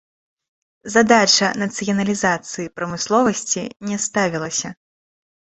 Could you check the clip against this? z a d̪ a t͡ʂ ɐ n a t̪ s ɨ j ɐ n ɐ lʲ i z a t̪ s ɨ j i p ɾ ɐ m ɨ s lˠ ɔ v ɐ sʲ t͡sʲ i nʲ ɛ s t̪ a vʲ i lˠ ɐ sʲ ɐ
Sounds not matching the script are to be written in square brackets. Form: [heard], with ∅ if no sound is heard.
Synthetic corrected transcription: z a d̪ a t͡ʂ ɐ n [ɐ] t̪ s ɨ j ɐ n ɐ lʲ i z a t̪ s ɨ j i p ɾ ɐ m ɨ s lˠ ɔ v ɐ sʲ t͡sʲ i nʲ ɛ s t̪ a vʲ i lˠ ɐ sʲ ɐ